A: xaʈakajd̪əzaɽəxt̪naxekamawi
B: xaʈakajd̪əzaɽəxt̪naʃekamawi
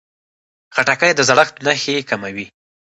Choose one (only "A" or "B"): A